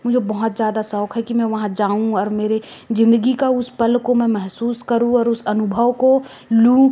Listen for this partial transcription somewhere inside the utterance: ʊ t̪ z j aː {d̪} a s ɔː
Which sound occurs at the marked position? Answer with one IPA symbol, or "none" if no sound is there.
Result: d̪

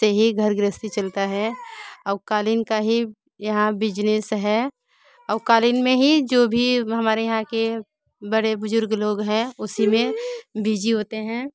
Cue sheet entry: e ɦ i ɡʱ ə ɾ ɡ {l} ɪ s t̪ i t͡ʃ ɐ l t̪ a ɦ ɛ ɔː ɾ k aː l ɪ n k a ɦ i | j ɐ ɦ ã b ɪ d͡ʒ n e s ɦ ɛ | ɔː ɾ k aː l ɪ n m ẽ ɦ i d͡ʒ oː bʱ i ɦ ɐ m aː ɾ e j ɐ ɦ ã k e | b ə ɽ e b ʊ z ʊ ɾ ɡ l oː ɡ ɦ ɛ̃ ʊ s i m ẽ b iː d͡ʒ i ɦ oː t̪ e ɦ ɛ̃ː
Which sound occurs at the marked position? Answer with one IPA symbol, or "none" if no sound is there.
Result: ɾ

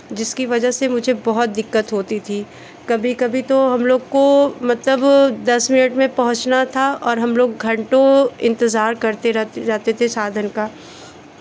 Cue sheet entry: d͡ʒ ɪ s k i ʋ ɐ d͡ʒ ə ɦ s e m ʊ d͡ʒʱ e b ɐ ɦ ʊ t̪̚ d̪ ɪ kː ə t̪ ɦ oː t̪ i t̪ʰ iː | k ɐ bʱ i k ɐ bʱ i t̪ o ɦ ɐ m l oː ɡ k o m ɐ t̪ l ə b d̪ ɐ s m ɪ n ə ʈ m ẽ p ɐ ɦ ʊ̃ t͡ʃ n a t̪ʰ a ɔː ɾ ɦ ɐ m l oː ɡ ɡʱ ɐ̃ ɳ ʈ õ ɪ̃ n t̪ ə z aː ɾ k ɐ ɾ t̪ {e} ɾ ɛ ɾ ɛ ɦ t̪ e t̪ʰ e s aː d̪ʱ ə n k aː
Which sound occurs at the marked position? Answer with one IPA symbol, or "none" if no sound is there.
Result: e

